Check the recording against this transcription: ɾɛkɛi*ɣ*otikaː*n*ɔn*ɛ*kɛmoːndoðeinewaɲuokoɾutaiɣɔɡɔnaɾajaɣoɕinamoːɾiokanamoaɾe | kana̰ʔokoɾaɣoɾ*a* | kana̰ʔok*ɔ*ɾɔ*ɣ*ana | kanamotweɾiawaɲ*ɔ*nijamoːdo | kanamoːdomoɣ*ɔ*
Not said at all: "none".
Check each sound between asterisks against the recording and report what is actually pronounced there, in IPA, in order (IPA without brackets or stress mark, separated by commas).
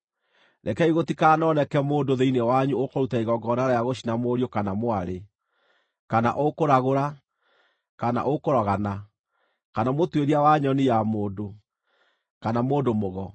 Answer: ɣ, n, ɛ, a, o, ɣ, ɔ, ɔ